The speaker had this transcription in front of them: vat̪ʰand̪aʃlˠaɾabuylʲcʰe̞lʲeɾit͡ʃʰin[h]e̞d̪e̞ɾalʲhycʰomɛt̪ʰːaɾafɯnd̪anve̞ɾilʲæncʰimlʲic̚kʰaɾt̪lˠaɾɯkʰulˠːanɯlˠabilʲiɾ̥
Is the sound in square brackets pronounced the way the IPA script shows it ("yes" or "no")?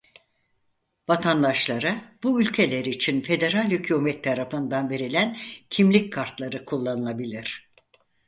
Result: no